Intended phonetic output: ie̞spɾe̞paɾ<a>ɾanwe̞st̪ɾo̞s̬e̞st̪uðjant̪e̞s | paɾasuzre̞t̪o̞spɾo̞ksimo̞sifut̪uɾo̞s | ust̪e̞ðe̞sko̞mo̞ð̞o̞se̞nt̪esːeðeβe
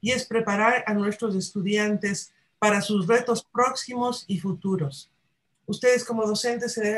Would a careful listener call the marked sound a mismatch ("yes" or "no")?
no